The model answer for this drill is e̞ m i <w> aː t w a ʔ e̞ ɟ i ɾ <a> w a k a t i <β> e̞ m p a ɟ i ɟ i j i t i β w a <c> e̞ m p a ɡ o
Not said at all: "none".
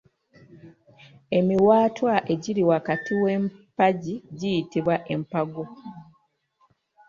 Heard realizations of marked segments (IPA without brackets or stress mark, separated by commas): w, i, w, ʔ